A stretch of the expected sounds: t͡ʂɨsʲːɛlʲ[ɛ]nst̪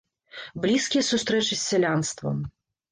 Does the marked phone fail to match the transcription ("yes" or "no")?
yes